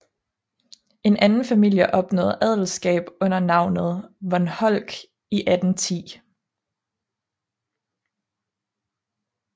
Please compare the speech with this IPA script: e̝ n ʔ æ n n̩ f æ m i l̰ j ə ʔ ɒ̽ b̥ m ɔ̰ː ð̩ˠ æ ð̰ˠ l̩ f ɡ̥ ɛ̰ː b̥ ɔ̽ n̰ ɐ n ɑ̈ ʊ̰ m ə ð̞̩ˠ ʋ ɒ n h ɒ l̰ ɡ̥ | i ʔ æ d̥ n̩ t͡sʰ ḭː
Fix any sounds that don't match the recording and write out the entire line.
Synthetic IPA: e̝ n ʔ æ n n̩ f æ m i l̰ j ə ʔ ɒ̽ b̥ n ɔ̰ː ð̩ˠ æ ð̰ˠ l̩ s ɡ̥ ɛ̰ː b̥ ɔ̽ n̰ ɐ n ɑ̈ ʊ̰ n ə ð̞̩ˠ ʋ ɒ n h ɒ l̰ ɡ̥ | i ʔ æ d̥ n̩ t͡sʰ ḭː